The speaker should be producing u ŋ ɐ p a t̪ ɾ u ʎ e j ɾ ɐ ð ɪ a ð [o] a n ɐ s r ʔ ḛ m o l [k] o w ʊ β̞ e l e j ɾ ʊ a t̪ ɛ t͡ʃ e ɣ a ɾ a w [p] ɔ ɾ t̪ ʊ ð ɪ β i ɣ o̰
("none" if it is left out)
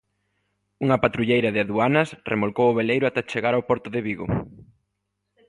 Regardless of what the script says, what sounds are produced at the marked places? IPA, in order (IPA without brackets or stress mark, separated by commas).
u, k, p